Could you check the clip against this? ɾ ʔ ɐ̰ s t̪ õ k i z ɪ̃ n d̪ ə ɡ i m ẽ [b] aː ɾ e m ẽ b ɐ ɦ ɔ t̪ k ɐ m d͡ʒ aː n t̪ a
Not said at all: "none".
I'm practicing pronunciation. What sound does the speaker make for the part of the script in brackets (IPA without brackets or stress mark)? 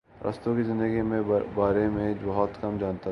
b